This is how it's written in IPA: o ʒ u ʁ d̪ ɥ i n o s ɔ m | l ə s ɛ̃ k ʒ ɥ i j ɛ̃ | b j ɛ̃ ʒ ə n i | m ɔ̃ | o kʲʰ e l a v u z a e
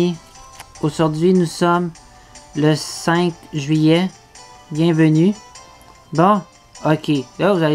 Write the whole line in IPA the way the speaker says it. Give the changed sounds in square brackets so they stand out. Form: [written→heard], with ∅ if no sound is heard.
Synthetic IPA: o ʒ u ʁ d̪ ɥ i n [o→u] s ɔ m | l ə s ɛ̃ k ʒ ɥ i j [ɛ̃→ɛ] | b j ɛ̃ [ʒ→v] ə n [i→y] | [m→b] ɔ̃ | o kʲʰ e l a v u z a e